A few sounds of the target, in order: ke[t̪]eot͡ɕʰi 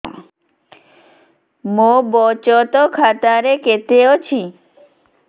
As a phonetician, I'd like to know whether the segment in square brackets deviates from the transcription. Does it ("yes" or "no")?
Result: no